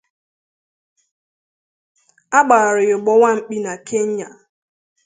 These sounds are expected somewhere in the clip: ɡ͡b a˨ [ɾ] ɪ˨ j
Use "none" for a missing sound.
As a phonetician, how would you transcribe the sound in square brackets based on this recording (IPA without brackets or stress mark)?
ɾ